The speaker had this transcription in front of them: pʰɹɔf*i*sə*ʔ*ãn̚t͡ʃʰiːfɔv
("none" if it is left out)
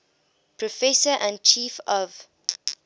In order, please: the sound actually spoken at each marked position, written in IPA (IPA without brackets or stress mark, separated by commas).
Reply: ɛ, ʔ